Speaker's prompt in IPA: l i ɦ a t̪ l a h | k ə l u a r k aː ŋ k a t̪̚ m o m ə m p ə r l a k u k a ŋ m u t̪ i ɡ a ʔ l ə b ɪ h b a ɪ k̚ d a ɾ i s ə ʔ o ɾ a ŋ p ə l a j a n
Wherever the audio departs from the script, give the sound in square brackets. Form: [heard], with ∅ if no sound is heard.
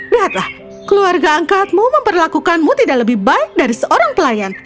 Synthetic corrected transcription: l i ɦ a t̪ l a h | k ə l u a r [ɡ] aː ŋ k a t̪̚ m [u] m ə m p ə r l a k u k a [n] m u t̪ i [d] a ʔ l ə b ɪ h b a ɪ k̚ d a ɾ i s ə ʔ o ɾ a ŋ p ə l a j a n